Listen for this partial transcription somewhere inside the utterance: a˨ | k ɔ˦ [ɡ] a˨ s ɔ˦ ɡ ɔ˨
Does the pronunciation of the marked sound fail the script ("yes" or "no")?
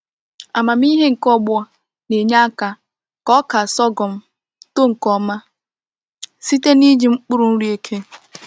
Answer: yes